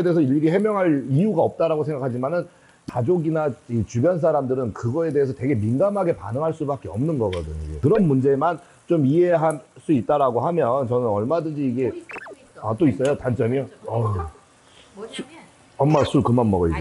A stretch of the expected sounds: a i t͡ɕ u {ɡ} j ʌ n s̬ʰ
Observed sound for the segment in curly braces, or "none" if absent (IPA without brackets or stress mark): b